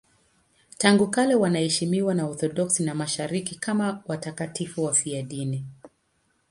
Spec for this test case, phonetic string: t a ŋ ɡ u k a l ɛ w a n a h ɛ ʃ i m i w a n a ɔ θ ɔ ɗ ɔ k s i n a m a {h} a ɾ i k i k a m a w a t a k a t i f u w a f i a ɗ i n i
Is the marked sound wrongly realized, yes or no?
yes